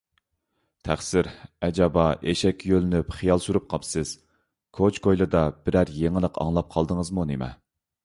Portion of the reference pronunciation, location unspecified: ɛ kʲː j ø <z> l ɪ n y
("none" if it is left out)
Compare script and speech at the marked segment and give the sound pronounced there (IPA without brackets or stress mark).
none